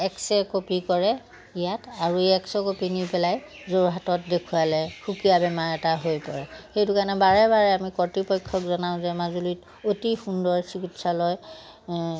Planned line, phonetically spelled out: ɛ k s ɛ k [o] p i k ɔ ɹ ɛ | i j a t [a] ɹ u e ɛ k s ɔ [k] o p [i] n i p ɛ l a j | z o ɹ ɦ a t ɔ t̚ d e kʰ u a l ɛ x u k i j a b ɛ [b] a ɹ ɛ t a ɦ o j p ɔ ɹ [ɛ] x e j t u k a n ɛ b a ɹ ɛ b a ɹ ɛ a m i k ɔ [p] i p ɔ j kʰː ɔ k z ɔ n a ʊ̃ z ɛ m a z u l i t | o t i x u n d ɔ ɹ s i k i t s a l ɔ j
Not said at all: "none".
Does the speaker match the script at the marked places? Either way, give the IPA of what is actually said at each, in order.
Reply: o, a, k, i, m, ɛ, t

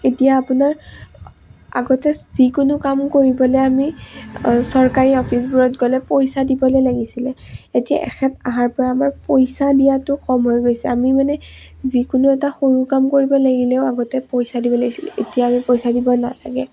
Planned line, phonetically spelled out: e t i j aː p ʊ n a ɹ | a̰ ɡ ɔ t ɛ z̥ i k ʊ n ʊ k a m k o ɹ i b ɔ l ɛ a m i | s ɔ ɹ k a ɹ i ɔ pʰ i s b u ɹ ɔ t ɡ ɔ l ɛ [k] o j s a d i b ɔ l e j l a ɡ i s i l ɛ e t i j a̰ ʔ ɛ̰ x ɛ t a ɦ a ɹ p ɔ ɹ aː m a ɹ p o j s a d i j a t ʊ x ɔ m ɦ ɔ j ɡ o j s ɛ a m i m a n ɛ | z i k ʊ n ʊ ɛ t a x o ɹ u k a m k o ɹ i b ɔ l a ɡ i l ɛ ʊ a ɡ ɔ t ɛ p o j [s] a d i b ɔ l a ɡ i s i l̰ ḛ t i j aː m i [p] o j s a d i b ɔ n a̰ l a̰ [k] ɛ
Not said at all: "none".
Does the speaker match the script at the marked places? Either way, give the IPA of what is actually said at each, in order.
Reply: p, s, p, ɡ

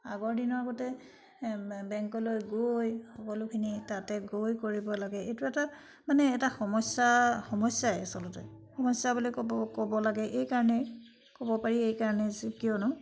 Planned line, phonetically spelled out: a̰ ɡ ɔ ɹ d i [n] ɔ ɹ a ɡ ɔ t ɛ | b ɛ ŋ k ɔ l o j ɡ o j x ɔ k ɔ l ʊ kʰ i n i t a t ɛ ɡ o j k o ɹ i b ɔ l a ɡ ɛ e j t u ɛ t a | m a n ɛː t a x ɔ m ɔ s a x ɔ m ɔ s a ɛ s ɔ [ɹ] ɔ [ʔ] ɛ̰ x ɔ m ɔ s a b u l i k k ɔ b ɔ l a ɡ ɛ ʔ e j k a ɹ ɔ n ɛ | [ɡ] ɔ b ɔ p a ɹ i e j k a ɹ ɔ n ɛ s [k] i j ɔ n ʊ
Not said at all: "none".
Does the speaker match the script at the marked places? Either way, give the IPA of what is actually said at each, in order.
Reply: n, l, t, k, k

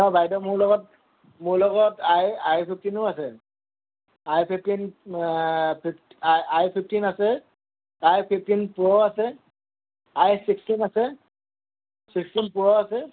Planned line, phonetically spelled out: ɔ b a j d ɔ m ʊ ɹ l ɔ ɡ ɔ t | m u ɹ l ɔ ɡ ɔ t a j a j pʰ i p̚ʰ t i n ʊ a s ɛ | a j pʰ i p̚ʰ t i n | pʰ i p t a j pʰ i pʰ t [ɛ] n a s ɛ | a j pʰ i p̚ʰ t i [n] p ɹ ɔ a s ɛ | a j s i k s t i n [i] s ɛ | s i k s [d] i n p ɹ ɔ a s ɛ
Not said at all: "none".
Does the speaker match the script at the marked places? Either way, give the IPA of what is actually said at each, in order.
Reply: i, n, a, t

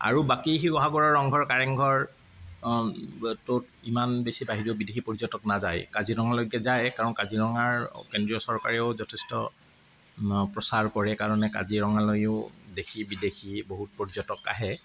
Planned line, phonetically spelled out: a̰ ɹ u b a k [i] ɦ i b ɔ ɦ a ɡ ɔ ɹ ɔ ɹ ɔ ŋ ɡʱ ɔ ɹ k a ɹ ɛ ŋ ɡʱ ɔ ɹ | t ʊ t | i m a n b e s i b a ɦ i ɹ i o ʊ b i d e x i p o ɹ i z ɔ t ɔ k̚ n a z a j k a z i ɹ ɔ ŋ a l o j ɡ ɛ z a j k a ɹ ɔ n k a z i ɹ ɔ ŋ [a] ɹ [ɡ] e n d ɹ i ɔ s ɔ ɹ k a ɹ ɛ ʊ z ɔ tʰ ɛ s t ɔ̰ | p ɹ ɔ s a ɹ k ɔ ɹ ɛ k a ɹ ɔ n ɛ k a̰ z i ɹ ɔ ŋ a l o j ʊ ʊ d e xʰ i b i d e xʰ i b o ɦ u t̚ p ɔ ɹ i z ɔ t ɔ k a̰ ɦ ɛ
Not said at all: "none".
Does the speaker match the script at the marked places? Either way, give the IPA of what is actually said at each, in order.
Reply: i, a, k

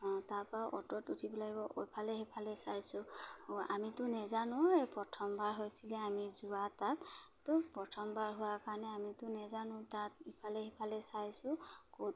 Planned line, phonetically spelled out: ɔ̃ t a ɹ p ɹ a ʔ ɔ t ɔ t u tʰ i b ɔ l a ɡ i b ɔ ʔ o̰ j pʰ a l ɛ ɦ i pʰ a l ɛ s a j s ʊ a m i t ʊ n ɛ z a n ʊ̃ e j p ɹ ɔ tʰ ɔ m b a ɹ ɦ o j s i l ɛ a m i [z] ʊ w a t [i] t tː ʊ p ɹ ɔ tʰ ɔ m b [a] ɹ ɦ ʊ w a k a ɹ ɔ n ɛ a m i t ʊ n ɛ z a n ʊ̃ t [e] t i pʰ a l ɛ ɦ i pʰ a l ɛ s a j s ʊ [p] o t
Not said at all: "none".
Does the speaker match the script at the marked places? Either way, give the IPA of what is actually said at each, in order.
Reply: z, a, a, a, k

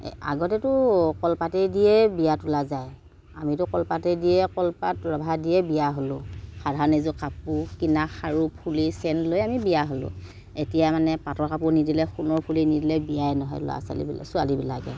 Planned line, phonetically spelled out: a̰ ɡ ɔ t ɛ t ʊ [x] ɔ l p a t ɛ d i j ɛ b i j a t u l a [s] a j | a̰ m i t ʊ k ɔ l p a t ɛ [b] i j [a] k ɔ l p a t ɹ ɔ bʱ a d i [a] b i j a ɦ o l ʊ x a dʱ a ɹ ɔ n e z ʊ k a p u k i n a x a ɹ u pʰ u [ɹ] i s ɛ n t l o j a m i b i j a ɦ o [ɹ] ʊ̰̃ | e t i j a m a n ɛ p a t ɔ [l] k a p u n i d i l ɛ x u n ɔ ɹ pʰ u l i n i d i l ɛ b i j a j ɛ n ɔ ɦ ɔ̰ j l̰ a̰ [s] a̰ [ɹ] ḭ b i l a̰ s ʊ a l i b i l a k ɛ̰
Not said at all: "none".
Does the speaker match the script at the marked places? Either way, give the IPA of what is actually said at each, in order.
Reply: k, z, d, ɛ, ɛ, l, l, ɹ, s, l

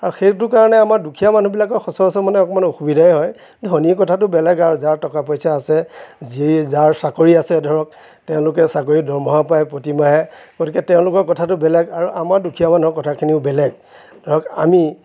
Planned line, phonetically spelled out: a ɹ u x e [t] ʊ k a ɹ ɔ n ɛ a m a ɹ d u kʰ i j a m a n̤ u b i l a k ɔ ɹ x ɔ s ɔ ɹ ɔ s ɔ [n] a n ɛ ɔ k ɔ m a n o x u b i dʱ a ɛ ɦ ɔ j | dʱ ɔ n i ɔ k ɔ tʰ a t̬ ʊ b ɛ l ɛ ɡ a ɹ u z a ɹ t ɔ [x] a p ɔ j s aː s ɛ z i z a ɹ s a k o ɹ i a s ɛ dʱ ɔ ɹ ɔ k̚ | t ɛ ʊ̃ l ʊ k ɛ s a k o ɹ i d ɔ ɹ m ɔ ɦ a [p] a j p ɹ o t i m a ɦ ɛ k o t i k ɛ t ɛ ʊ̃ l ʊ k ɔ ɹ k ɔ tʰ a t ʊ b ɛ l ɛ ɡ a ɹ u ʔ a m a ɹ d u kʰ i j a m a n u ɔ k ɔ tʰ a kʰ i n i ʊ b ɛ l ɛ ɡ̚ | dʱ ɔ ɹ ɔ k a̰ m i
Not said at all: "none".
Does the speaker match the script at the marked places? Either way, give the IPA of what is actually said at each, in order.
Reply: t, m, k, p

